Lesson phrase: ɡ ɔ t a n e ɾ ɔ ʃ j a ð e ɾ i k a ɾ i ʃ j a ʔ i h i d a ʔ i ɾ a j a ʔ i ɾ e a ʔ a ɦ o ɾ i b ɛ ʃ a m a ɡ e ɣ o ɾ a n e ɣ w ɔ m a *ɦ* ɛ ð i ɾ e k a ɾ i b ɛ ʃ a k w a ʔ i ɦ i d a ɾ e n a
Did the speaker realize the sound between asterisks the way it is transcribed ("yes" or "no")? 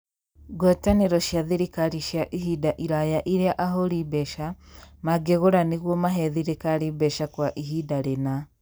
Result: yes